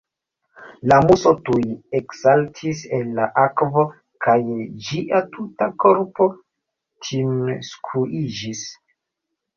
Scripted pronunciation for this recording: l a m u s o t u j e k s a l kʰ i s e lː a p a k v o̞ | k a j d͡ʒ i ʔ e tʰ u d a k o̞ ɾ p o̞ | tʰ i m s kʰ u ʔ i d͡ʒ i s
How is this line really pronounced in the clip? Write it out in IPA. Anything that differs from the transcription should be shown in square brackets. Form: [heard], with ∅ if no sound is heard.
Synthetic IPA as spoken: l a m u s o t u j e k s a l [tʰ] i s e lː a [ʔ] a k v o̞ | k a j d͡ʒ i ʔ [a] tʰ u [t] a k o̞ ɾ p o̞ | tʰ i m s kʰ u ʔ i d͡ʒ i s